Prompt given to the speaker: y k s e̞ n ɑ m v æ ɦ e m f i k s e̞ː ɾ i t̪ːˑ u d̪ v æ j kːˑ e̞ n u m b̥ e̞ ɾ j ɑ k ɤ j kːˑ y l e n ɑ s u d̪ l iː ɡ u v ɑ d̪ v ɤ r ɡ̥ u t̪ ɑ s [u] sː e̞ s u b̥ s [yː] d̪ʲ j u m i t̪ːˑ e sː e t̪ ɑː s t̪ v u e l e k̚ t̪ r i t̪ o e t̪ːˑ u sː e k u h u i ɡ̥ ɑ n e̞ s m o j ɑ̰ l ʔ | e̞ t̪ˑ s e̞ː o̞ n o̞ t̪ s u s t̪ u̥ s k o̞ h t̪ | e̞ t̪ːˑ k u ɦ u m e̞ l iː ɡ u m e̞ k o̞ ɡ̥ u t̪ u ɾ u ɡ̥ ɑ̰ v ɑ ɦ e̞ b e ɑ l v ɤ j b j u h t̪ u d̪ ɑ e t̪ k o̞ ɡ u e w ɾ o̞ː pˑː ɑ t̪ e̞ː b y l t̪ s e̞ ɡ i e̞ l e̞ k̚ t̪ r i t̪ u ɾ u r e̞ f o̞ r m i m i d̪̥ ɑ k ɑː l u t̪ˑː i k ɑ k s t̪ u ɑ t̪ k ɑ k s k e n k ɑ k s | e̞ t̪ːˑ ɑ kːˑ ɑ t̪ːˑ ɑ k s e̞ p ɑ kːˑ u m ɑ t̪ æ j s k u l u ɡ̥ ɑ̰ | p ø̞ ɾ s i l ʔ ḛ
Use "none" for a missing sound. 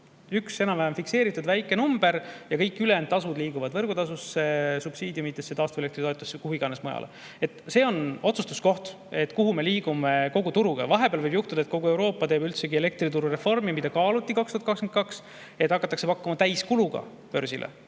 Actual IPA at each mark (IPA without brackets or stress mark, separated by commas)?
u, iː